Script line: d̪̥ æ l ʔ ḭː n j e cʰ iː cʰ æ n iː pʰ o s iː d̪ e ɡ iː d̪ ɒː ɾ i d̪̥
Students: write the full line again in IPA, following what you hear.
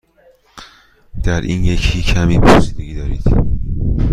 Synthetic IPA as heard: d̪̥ æ ɾ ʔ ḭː n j e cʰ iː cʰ æ m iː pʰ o s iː d̪ e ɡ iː d̪ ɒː ɾ i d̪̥